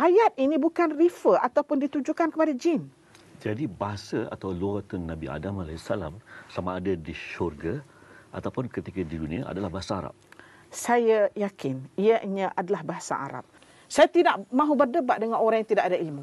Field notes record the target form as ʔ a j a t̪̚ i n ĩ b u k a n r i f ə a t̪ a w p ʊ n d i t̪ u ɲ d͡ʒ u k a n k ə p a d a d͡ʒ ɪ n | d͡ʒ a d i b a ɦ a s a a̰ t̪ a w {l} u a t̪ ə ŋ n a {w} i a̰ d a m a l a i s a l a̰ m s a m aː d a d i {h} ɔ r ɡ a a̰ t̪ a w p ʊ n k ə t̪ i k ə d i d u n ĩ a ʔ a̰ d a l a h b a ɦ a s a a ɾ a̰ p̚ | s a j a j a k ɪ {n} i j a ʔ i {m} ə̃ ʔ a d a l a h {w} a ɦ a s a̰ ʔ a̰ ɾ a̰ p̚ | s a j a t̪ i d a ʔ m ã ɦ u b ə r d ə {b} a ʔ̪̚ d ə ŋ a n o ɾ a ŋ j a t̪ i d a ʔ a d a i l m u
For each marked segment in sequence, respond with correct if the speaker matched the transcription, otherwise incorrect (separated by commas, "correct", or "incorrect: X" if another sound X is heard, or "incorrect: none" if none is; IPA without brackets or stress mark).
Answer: correct, incorrect: b, incorrect: ʃ, correct, incorrect: ɲ, incorrect: b, correct